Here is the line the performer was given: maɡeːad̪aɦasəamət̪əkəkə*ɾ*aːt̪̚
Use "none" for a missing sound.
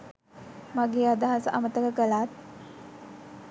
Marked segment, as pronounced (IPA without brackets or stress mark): l